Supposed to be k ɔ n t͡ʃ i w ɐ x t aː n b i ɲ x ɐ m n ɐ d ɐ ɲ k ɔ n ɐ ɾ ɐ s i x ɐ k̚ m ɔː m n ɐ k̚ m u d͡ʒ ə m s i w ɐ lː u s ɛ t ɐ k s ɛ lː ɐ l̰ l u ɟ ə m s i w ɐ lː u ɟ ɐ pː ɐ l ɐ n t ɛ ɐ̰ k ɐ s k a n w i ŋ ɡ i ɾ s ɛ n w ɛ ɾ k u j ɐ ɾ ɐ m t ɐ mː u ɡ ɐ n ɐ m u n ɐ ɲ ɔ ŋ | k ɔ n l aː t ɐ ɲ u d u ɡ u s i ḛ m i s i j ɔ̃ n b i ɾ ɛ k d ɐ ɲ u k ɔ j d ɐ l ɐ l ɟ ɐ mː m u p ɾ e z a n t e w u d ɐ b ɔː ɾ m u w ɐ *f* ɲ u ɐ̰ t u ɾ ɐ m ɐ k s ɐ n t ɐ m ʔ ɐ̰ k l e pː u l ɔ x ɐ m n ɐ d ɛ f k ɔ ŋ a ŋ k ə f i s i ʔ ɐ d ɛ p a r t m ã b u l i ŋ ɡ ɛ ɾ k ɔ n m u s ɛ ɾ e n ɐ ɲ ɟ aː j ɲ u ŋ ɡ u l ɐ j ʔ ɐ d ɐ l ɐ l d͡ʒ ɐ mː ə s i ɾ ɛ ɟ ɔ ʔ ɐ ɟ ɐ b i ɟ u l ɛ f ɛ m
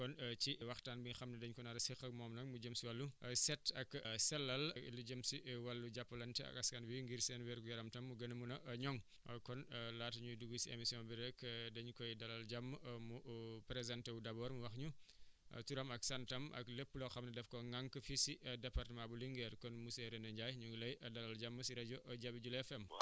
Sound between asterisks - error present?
yes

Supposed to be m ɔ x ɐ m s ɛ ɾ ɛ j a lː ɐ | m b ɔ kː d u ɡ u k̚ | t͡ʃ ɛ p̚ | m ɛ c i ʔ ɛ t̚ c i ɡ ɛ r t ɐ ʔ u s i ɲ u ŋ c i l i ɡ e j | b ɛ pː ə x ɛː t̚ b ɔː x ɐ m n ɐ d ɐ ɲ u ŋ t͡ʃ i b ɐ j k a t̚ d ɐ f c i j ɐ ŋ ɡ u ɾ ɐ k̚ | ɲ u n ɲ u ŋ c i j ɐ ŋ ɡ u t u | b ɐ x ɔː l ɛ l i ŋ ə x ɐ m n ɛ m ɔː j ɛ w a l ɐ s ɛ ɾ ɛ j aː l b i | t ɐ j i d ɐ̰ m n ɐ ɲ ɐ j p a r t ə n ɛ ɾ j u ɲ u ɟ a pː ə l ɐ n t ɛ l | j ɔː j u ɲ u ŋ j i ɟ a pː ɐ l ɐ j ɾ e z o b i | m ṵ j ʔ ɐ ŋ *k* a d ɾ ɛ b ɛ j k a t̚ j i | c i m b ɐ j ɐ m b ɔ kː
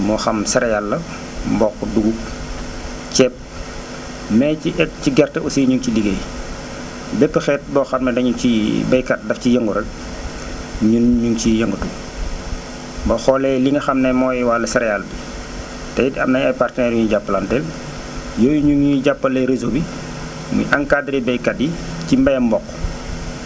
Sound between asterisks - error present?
no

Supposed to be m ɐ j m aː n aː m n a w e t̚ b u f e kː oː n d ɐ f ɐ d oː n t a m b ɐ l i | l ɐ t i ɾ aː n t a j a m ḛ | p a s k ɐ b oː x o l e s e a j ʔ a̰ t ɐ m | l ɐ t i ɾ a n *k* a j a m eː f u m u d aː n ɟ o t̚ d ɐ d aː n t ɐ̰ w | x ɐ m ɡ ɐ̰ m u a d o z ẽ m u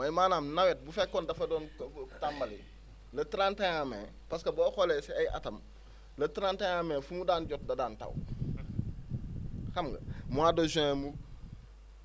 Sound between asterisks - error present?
yes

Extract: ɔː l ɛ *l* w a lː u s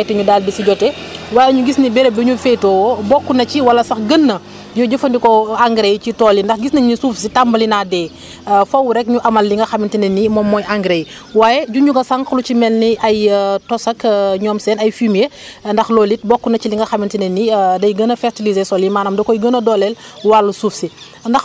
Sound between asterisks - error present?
no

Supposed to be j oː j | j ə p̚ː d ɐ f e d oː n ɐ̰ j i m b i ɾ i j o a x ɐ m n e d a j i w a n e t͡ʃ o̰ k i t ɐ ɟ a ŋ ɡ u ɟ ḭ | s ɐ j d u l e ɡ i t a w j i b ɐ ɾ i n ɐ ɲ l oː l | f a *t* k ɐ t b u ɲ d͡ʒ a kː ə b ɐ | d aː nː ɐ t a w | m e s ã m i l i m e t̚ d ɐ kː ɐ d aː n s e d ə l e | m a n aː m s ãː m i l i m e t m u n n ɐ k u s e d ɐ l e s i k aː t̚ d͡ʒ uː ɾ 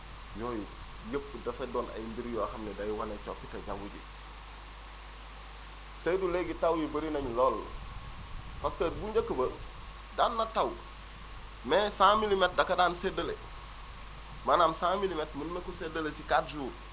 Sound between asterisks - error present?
yes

